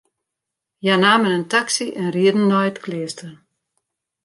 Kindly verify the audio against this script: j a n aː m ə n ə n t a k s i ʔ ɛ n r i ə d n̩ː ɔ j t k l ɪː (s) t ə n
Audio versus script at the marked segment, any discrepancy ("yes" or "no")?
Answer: no